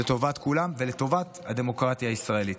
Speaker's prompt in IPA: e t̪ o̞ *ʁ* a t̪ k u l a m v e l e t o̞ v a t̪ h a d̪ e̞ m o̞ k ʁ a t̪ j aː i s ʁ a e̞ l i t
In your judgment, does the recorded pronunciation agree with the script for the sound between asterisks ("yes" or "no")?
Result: no